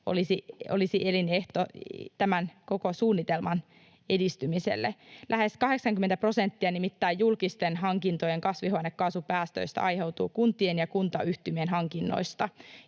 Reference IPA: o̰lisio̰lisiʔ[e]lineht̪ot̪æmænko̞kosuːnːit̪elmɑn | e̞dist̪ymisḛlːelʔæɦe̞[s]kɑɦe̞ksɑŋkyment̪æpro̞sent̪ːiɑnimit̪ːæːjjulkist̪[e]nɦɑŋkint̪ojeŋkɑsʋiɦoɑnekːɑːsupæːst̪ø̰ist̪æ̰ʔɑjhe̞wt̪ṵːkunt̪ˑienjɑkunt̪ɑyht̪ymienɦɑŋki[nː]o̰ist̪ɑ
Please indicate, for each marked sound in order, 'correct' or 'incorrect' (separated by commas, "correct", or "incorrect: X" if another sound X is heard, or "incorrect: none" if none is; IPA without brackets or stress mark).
correct, correct, correct, correct